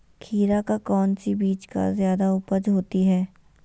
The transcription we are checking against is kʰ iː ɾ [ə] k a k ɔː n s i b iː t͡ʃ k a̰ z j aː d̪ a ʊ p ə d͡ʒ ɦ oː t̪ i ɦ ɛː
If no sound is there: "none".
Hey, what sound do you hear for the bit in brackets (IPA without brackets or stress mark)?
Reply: a